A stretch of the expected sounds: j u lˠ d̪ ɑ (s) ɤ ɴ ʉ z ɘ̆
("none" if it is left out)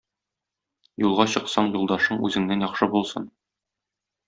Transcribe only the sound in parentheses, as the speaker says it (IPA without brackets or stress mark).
ʃ